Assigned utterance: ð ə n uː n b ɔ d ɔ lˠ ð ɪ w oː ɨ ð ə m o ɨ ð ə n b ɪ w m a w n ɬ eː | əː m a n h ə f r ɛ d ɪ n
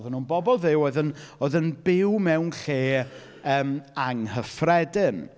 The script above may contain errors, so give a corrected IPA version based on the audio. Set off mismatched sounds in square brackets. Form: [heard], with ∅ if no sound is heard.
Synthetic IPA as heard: ð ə n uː n b ɔ [b] ɔ lˠ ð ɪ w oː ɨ ð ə [n] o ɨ ð ə n b ɪ w m [ɛ] w n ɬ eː | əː m a [ŋ] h ə f r ɛ d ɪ n